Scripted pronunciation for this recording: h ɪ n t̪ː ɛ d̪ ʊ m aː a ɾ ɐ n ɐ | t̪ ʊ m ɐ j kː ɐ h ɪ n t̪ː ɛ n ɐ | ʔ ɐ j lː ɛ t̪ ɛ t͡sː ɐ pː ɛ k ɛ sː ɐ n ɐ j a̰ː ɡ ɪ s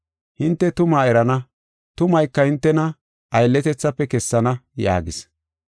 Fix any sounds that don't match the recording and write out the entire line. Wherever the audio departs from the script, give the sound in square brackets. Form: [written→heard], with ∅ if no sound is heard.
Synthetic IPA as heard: h ɪ n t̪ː ɛ [d̪→t̪] ʊ m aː [a→ɛ] ɾ ɐ n ɐ | t̪ ʊ m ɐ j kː ɐ h ɪ n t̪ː ɛ n ɐ | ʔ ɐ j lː ɛ t̪ ɛ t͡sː ɐ pː ɛ k ɛ sː ɐ n ɐ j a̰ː ɡ ɪ s